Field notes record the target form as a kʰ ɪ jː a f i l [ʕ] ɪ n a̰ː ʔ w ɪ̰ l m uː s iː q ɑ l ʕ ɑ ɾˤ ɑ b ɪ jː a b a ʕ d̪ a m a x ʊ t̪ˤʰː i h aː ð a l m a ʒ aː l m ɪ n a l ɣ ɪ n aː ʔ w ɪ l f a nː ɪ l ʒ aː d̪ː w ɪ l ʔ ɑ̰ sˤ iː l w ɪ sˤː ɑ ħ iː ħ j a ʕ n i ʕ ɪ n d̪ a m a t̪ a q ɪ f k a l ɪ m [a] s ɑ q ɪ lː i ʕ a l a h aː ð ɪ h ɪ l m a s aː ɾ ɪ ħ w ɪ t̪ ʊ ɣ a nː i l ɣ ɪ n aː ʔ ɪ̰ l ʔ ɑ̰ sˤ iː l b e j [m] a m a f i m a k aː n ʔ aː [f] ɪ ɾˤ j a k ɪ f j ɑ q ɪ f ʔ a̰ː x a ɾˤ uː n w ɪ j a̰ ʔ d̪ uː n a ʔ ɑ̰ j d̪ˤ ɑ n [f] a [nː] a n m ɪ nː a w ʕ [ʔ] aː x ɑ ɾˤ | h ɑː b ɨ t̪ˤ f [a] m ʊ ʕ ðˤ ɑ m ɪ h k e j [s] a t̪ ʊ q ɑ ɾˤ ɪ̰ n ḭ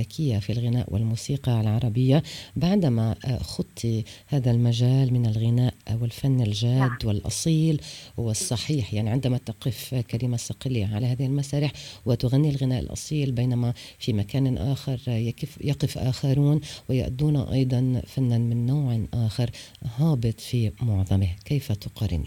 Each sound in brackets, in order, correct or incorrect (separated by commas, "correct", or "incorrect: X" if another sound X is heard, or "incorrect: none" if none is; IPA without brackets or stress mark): incorrect: ɣ, correct, incorrect: n, incorrect: x, correct, correct, correct, incorrect: i, incorrect: f